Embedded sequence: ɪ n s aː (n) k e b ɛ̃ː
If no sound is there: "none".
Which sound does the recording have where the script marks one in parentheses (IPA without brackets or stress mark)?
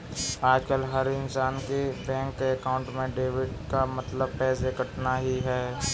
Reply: n